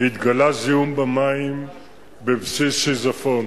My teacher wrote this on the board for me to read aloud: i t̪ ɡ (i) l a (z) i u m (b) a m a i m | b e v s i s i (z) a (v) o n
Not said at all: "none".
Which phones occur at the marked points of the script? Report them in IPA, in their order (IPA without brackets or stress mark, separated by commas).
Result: a, z, b, z, f